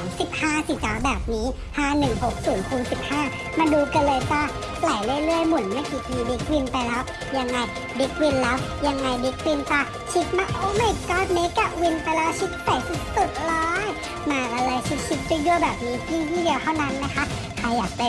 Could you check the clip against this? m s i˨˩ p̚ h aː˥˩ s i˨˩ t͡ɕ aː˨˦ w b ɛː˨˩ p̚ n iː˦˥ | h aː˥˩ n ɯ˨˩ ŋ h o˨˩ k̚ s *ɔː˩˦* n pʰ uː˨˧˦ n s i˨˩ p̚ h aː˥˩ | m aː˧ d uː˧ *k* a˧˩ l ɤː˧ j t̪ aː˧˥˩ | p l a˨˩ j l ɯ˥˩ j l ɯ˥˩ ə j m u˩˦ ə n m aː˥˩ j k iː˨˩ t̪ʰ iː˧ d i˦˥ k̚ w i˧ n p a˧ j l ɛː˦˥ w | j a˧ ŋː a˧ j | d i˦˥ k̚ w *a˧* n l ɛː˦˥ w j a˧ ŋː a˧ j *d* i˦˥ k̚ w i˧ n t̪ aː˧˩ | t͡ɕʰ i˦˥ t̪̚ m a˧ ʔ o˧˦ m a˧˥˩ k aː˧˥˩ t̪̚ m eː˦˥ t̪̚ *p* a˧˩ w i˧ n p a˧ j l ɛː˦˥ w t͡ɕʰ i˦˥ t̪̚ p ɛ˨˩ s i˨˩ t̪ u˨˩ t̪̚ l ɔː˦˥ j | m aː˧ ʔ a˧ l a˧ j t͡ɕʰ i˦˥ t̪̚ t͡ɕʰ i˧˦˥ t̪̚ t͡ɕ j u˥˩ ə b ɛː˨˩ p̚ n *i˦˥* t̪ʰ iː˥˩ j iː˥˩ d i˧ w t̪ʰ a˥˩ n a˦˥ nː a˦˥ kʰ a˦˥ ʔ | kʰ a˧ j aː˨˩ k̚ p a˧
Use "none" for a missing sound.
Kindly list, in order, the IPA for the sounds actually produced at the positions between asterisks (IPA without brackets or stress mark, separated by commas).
uː˩˦, k, i˧, d, k, iː˦˥